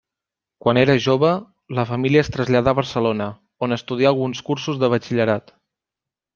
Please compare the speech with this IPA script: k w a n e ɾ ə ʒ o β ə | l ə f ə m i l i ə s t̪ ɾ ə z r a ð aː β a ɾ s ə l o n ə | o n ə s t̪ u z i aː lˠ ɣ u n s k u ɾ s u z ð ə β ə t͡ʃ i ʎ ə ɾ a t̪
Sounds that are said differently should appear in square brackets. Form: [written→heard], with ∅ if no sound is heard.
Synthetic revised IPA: k w a n e ɾ ə ʒ o β ə | l ə f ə m i l i ə s t̪ ɾ ə z [r→ʎ] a ð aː β [a→ə] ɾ s ə l o n ə | o n ə s t̪ u [z→ð] i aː lˠ ɣ u n s k u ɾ s u z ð ə β ə t͡ʃ i ʎ ə ɾ a t̪